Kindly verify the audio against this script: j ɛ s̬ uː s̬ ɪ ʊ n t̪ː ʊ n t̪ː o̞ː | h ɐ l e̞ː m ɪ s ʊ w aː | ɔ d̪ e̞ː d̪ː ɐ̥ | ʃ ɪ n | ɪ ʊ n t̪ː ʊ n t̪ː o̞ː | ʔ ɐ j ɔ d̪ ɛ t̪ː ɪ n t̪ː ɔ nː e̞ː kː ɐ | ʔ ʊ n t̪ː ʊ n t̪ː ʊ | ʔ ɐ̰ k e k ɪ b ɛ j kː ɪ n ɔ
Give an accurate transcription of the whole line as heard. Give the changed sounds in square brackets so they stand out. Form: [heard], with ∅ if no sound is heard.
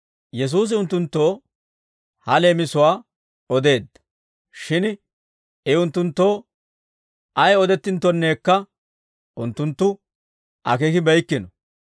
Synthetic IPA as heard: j ɛ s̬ uː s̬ ɪ ʊ n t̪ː ʊ n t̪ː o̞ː | h ɐ l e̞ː m ɪ s ʊ w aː | ɔ d̪ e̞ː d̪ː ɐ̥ | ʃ ɪ n | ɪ ʊ n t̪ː ʊ n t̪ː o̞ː | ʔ ɐ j ɔ d̪ ɛ t̪ː ɪ n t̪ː ɔ nː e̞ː kː ɐ | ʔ ʊ n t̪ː ʊ n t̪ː ʊ | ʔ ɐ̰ k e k ɪ b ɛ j kː ɪ n ɔ